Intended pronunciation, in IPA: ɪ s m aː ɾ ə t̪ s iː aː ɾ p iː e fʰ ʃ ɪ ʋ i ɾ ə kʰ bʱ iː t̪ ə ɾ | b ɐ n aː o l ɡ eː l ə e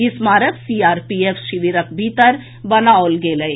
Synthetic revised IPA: ɪ s m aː ɾ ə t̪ s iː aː ɾ p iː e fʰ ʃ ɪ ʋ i ɾ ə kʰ bʱ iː t̪ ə ɾ | b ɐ n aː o l ɡ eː l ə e